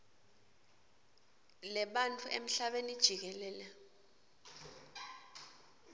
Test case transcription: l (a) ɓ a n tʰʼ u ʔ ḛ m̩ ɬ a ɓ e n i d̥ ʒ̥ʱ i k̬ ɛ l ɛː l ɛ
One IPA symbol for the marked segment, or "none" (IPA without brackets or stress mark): ɛ